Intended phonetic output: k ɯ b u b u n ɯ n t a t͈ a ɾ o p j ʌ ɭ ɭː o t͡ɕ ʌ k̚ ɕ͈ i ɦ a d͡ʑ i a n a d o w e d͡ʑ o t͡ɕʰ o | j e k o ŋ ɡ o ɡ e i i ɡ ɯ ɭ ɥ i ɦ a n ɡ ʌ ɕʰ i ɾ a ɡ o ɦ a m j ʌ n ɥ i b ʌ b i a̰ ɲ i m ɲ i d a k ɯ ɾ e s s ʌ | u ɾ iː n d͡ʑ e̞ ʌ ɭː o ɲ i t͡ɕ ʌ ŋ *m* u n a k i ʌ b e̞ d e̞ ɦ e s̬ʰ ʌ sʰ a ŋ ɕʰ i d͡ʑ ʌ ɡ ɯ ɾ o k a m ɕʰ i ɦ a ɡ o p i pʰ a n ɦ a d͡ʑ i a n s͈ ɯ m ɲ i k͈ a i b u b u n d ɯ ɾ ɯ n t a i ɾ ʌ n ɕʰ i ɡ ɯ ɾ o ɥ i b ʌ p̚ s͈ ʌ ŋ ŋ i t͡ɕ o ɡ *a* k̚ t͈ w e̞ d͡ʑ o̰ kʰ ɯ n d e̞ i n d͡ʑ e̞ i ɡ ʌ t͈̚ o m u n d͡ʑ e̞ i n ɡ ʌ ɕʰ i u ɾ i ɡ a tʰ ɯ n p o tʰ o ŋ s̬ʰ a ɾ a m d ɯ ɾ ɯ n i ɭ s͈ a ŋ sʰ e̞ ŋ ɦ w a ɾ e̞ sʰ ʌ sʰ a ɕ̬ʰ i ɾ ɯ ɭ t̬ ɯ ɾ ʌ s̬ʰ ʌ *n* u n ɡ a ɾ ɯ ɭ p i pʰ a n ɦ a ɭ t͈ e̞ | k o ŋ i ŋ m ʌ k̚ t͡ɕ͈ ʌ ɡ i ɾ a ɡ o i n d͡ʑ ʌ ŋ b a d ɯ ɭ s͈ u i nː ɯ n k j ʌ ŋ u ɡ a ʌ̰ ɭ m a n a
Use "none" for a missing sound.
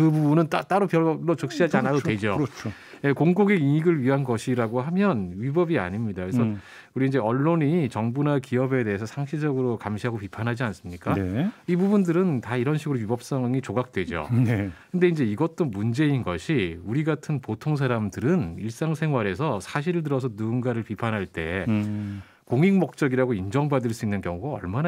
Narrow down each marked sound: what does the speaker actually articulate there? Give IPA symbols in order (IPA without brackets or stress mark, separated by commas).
b, a, n